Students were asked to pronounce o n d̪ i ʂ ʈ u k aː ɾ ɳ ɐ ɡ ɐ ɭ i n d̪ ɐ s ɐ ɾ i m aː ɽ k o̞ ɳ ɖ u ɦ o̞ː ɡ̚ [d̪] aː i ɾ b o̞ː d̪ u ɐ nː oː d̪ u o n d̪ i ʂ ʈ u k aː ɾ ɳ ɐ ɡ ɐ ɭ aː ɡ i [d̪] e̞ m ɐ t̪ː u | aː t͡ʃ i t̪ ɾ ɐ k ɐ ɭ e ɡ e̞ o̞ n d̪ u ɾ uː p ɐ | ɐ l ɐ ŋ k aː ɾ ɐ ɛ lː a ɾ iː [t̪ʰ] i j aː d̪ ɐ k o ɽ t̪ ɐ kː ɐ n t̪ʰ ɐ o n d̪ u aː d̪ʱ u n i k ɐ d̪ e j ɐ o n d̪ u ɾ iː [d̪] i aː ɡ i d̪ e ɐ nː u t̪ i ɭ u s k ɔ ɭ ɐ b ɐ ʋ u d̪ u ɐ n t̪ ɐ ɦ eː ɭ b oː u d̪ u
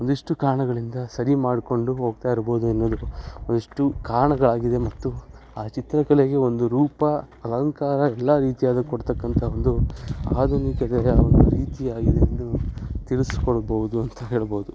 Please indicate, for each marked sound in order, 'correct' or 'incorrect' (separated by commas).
incorrect, correct, incorrect, incorrect